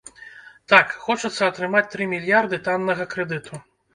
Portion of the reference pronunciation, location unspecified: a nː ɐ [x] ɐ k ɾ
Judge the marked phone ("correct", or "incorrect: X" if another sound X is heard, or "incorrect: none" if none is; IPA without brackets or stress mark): incorrect: ɣ